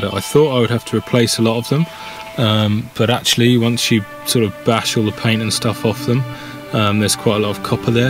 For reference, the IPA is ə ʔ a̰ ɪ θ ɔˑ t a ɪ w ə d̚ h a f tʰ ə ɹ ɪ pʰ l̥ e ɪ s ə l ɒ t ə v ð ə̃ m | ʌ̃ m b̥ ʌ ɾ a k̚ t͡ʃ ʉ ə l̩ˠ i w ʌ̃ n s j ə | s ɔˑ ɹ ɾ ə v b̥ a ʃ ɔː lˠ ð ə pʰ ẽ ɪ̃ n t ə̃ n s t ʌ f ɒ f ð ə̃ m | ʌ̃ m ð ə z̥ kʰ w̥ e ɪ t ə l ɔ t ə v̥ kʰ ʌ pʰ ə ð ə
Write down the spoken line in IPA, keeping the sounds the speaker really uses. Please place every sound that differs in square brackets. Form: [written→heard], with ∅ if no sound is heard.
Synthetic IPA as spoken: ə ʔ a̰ ɪ θ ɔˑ t a ɪ w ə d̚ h a f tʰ ə ɹ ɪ pʰ l̥ e ɪ s ə l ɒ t ə v ð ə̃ m | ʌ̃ m b̥ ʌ ɾ a k̚ t͡ʃ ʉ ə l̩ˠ i w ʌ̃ n s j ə | s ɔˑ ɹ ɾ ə v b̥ a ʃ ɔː lˠ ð ə pʰ ẽ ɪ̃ n t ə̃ n s t ʌ f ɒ f ð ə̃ m | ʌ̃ m ð ə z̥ kʰ w̥ [e→a] ɪ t ə l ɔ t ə v̥ kʰ ʌ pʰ ə ð ə